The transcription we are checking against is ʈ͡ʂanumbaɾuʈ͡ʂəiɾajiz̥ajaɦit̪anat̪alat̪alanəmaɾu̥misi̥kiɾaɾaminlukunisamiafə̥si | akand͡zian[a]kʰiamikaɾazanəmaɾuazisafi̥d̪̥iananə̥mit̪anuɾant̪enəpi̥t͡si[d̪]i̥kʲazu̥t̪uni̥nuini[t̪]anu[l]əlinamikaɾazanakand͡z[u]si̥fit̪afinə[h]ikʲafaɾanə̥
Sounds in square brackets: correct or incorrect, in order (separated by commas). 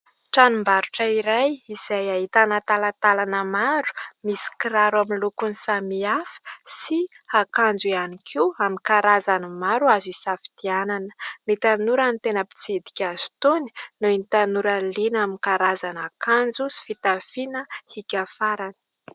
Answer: incorrect, correct, correct, incorrect, correct, correct